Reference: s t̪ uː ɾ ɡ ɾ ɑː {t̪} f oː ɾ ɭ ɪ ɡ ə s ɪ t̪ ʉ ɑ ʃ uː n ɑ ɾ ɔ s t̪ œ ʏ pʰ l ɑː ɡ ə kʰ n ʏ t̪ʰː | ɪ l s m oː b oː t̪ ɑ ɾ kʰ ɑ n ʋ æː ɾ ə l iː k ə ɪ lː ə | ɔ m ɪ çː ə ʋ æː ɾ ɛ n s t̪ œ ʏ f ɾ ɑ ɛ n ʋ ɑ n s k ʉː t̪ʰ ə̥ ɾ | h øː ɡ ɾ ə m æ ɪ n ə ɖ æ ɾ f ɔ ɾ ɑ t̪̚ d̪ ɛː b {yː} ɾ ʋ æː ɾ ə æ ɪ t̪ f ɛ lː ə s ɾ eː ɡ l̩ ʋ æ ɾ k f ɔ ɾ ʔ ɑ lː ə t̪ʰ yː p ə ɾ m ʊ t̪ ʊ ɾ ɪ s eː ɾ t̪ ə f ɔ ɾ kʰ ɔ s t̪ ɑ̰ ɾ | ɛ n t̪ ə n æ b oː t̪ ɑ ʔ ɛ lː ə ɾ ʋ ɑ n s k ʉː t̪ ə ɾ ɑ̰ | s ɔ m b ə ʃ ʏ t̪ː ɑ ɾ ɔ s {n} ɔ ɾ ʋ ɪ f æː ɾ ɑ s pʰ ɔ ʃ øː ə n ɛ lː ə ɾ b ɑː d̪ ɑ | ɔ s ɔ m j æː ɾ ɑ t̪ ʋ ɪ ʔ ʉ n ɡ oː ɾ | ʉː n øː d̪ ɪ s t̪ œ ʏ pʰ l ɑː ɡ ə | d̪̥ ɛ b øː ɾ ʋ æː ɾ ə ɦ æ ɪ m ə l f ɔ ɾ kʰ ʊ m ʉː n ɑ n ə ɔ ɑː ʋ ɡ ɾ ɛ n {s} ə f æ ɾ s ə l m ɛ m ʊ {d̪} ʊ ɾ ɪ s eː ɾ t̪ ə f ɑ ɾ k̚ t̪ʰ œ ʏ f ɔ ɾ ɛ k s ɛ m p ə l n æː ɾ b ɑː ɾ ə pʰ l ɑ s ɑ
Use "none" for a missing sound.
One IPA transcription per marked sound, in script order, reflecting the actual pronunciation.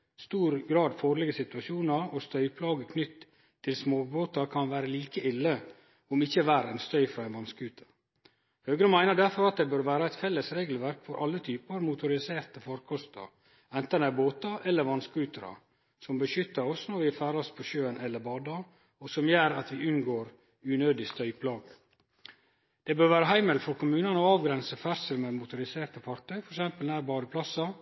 d̪, øː, n, s, t̪

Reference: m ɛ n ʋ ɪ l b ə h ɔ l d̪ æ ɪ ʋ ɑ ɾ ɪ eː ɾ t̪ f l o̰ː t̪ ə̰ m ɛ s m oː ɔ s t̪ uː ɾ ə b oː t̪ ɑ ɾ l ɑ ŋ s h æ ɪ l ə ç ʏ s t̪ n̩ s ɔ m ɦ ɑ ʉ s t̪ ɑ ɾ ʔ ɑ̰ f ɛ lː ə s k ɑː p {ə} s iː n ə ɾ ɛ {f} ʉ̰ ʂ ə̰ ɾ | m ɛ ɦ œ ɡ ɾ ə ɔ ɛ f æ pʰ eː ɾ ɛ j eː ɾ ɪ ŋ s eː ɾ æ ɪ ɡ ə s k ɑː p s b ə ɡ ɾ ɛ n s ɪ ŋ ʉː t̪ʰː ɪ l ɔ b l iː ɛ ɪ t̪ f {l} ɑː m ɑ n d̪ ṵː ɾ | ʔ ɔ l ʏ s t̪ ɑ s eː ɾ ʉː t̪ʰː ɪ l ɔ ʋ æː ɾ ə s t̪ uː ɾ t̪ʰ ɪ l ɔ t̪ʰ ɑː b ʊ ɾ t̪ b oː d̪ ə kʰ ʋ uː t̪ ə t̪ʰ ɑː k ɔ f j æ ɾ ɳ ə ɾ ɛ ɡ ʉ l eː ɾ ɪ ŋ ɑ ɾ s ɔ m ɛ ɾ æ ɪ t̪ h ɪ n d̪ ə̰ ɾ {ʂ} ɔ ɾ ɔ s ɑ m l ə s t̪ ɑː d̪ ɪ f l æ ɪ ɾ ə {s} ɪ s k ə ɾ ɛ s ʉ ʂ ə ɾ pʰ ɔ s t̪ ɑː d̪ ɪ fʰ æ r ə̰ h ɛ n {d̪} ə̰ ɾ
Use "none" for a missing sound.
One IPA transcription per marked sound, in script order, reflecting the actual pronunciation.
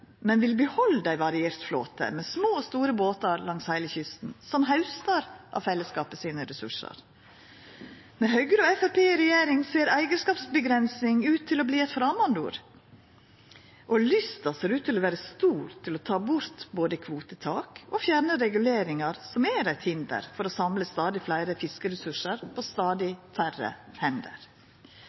ə, s, ɾ, f, f, d̪

